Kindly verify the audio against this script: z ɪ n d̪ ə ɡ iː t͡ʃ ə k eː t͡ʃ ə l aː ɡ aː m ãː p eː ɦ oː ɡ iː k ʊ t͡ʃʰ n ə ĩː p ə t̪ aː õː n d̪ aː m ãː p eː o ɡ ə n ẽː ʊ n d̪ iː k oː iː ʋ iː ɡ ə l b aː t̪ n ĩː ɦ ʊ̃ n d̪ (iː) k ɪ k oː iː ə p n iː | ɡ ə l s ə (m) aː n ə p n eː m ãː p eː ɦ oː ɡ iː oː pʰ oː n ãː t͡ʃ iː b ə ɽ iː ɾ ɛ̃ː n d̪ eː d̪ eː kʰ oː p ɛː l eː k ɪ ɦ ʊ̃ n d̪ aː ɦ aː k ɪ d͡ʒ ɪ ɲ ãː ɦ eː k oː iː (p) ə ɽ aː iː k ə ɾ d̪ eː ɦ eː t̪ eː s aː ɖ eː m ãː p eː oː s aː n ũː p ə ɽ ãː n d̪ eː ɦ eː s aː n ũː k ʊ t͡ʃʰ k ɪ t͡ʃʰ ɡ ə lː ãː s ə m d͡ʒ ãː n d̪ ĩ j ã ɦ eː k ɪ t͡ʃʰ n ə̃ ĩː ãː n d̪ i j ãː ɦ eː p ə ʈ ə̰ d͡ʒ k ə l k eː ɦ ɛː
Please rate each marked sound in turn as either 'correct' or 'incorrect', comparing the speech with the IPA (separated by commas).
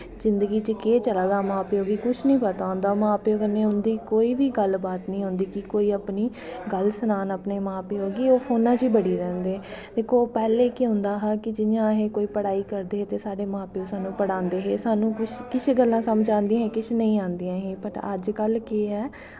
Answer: correct, incorrect, correct